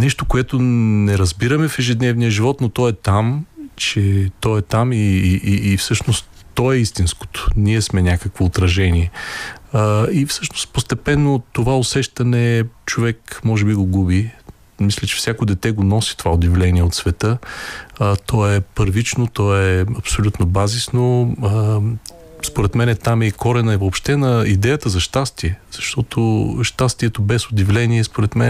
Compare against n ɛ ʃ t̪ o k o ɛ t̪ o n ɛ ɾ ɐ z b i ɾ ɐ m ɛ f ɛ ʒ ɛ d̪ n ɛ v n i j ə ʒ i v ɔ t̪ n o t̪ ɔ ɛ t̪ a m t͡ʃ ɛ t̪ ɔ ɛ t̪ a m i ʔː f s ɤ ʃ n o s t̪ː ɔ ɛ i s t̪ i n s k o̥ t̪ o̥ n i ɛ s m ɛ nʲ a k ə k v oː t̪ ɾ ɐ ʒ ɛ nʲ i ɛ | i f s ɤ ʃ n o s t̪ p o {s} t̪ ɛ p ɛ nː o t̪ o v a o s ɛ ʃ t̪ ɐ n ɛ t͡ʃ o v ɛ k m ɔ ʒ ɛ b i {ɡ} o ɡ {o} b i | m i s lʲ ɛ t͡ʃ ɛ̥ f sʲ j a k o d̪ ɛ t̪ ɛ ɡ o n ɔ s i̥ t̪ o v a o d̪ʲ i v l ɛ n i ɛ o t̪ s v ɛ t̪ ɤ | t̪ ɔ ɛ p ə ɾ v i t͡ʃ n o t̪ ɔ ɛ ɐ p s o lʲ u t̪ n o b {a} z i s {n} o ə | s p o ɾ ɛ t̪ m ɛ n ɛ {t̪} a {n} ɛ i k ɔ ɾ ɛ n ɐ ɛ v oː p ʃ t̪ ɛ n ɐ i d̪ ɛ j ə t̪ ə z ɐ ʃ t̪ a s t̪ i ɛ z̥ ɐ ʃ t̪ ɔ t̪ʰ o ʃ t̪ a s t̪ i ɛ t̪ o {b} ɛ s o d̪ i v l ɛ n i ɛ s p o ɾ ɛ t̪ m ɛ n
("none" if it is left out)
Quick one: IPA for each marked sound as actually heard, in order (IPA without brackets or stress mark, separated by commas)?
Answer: s, ɡ, u, a, n, t̪, m, b